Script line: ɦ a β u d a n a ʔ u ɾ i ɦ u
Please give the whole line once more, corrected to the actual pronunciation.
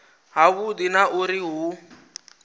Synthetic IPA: ɦ a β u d i n a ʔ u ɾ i ɦ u